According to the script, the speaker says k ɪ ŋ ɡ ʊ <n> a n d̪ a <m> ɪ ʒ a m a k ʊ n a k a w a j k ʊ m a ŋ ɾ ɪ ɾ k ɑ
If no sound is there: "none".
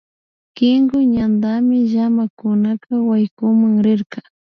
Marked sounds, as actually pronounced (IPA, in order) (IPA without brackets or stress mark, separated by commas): ɲ, m